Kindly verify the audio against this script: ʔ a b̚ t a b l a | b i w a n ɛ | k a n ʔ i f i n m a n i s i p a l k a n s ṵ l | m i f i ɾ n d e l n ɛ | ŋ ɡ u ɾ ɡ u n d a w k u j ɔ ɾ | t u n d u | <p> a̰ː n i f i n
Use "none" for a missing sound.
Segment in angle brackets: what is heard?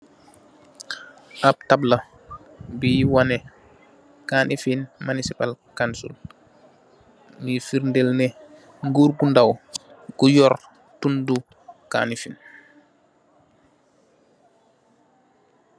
k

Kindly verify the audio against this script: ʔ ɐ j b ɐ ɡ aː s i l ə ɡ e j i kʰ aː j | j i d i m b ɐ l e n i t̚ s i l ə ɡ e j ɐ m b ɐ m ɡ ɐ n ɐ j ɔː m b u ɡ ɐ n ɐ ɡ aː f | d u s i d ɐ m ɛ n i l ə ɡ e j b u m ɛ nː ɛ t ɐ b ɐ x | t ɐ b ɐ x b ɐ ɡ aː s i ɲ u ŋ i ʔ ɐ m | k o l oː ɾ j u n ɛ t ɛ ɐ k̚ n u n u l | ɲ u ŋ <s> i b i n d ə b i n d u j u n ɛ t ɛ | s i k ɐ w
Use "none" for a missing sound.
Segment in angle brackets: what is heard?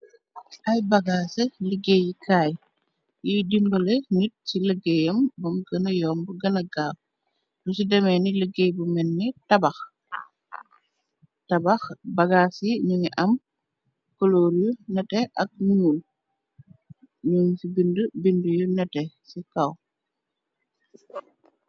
s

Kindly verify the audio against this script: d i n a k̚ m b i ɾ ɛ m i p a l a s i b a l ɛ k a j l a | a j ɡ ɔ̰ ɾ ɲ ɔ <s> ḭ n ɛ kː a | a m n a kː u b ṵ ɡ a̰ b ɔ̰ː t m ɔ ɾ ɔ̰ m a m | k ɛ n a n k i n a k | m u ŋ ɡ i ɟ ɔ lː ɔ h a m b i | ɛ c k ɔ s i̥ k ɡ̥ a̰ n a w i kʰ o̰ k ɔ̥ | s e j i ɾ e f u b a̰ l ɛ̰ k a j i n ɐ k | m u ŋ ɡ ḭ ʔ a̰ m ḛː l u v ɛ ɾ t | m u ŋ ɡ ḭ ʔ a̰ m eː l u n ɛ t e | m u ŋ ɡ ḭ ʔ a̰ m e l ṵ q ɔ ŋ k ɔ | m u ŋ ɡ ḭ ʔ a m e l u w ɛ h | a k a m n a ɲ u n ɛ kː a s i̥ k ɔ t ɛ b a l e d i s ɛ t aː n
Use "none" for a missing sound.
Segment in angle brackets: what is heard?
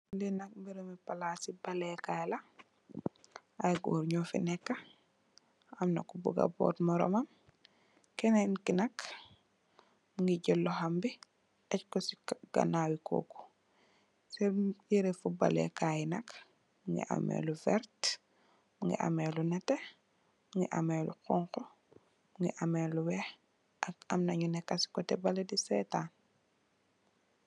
f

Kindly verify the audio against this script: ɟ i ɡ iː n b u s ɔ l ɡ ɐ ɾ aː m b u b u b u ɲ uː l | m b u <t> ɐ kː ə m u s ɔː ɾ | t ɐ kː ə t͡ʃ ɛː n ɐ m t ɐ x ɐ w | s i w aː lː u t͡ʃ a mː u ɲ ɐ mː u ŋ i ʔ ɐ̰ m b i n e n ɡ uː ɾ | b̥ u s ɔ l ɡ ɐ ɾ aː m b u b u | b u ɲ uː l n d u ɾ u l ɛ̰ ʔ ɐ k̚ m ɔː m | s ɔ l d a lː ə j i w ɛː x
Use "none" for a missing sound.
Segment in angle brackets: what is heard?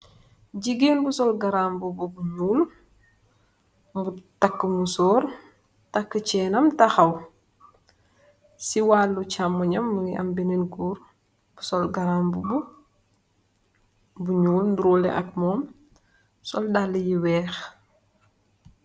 t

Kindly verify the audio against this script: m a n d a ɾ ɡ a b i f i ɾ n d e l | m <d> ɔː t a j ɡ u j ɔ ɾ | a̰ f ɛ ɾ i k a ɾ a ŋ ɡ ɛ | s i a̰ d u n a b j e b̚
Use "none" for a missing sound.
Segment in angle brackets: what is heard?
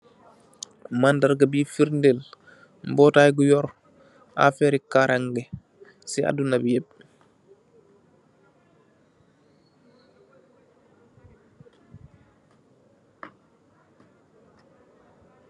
b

